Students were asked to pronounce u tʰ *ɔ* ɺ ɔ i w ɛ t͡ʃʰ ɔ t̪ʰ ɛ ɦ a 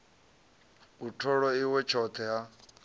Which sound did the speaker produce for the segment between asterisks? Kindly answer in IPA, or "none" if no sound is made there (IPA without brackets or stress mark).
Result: ɔ